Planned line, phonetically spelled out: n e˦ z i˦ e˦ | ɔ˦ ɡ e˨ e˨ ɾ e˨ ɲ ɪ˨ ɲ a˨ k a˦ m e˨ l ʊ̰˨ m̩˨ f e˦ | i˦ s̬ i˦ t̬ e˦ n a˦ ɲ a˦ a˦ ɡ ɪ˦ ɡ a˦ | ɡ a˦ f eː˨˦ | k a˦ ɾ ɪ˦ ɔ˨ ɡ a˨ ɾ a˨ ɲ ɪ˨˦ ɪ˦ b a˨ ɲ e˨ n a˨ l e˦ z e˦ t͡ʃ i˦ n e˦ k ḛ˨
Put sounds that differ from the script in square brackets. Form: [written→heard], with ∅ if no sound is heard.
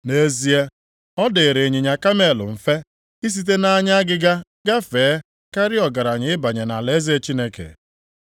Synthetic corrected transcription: n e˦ z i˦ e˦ | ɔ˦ [ɡ→d] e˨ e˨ ɾ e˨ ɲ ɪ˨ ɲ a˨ k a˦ m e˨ l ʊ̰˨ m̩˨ f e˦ | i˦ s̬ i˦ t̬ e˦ n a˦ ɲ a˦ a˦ ɡ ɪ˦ ɡ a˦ | ɡ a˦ f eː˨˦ | k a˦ ɾ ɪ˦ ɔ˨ ɡ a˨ ɾ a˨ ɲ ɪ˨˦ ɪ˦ b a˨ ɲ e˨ n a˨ l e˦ z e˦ t͡ʃ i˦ n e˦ k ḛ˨